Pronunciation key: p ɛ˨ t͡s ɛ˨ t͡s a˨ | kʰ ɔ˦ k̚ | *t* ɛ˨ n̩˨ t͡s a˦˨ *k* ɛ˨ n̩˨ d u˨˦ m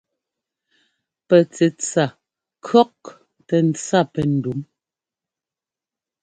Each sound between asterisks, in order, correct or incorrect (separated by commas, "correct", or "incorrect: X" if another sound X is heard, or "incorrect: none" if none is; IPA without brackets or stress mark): correct, incorrect: p